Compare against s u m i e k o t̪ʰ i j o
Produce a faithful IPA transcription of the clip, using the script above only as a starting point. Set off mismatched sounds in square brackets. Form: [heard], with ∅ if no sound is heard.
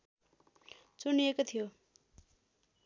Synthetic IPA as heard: [t͡s] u [n] i e k o t̪ʰ i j o